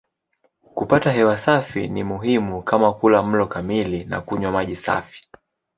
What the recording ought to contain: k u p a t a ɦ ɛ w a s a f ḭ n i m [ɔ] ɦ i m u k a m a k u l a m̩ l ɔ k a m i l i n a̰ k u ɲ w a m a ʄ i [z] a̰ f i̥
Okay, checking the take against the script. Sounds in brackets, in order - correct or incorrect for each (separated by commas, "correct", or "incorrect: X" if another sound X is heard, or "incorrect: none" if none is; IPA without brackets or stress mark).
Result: incorrect: u, incorrect: s